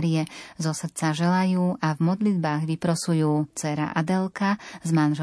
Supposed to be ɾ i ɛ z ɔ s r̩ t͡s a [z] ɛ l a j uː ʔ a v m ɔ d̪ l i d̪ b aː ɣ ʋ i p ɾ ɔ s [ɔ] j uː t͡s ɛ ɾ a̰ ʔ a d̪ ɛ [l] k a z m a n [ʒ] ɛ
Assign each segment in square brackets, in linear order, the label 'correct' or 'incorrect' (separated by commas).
incorrect, incorrect, correct, correct